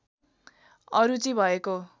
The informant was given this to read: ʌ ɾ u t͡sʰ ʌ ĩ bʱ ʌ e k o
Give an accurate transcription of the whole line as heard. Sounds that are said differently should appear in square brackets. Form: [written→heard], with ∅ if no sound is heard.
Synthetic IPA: ʌ ɾ u [t͡sʰ→t͡s] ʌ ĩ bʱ ʌ e k o